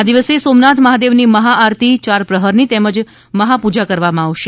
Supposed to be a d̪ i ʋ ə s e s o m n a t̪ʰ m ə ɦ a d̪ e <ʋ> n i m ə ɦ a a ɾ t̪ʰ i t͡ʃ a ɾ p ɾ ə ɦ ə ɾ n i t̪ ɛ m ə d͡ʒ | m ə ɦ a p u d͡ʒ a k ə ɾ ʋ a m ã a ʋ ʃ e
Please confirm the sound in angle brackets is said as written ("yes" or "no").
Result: yes